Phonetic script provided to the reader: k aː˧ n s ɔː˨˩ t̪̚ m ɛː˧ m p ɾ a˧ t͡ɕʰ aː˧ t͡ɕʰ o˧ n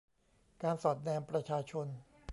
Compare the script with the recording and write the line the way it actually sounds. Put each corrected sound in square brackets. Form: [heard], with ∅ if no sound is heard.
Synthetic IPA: k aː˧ n s ɔː˨˩ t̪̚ [n] ɛː˧ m p ɾ a˧ t͡ɕʰ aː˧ t͡ɕʰ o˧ n

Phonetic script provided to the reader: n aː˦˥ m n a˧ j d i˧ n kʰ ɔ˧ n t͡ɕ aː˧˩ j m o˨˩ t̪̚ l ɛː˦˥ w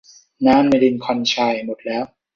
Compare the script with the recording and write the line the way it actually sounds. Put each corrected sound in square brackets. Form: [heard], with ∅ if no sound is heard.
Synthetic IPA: n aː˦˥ m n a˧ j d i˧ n kʰ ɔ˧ n [t͡ɕʰ] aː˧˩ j m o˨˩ t̪̚ l ɛː˦˥ w

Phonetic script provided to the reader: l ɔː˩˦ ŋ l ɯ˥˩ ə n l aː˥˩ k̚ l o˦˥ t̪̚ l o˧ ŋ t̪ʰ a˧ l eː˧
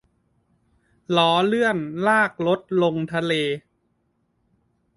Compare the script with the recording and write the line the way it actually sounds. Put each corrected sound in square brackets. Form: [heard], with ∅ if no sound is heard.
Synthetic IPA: l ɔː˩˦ [∅] l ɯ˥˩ ə n l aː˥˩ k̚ l o˦˥ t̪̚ l o˧ ŋ t̪ʰ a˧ l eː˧

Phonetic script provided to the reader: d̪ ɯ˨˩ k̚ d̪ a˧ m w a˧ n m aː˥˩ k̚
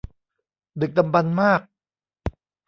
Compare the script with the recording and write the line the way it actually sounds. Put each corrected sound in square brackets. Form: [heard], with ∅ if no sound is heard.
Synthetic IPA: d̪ ɯ˨˩ k̚ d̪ a˧ m [b] a˧ n m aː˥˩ k̚

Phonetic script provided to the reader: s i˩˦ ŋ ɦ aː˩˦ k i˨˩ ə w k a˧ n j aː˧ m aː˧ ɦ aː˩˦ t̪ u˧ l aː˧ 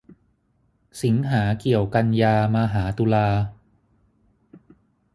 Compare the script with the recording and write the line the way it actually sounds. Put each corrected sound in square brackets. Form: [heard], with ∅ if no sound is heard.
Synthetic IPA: s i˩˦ ŋ ɦ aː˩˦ k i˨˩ ə w k a˧ n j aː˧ m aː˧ ɦ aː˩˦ t̪ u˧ l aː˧

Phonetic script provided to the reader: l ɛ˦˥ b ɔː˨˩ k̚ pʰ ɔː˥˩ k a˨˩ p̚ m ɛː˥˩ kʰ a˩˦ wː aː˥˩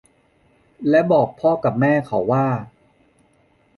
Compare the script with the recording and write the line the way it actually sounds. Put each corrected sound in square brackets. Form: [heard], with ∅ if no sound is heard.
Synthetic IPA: l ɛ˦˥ b ɔː˨˩ k̚ pʰ ɔː˥˩ k a˨˩ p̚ m ɛː˥˩ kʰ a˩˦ wː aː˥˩

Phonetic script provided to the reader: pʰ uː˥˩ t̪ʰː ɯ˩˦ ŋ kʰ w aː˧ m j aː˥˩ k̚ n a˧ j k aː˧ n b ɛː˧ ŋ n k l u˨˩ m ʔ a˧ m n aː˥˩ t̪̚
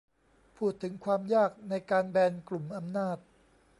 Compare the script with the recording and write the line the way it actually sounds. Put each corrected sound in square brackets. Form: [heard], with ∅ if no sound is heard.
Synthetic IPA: pʰ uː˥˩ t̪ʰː ɯ˩˦ ŋ kʰ w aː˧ m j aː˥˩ k̚ n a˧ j k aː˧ n b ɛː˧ [∅] n k l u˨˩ m ʔ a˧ m n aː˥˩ t̪̚

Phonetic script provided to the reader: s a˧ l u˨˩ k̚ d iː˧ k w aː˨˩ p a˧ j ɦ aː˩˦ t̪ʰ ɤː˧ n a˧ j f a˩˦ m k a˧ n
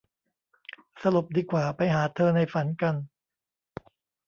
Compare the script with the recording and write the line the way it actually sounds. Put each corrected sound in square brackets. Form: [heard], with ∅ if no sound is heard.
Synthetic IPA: s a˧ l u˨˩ [p̚] d iː˧ k w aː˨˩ p a˧ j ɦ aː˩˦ t̪ʰ ɤː˧ n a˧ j f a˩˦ [n] k a˧ n

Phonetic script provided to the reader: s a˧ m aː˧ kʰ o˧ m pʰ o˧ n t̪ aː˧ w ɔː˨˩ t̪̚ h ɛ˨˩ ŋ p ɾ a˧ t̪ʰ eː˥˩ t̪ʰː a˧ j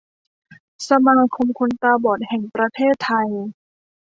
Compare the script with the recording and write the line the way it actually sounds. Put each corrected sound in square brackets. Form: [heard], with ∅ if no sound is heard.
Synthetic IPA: s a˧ m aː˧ kʰ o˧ m [kʰ] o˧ n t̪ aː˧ [b] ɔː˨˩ t̪̚ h ɛ˨˩ ŋ p ɾ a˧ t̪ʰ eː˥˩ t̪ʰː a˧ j

